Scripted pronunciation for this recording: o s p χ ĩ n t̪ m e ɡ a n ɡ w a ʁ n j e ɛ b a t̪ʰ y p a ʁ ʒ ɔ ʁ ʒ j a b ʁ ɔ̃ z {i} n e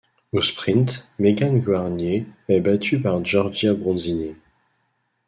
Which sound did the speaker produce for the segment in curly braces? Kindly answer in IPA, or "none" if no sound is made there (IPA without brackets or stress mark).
i